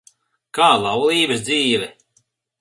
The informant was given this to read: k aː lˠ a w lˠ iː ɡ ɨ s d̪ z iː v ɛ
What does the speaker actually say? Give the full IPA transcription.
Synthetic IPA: k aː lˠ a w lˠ iː b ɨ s d̪ z iː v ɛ